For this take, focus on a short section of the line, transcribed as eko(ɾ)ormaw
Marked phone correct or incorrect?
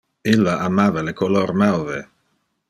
incorrect